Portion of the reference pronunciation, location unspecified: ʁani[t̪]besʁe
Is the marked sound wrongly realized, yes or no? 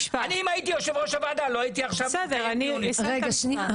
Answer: yes